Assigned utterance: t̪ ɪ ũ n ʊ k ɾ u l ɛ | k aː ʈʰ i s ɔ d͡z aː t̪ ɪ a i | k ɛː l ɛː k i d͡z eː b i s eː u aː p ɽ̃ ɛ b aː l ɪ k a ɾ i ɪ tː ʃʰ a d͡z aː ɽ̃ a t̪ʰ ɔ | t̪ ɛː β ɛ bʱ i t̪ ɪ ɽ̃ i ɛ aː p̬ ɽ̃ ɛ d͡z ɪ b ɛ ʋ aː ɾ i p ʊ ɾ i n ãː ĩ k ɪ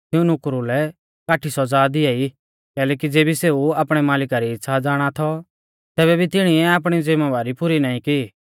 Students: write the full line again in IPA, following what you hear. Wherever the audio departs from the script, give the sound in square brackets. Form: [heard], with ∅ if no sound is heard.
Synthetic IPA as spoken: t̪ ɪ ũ n ʊ k ɾ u l ɛ | k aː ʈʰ i s ɔ d͡z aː [d̪] ɪ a i | k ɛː l ɛː k i d͡z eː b i s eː u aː p ɽ̃ ɛ [m] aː l ɪ k a ɾ i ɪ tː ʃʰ a d͡z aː ɽ̃ a t̪ʰ ɔ | t̪ ɛː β ɛ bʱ i t̪ ɪ ɽ̃ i ɛ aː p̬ ɽ̃ [i] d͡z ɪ [m] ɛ ʋ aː ɾ i p ʊ ɾ i n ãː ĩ k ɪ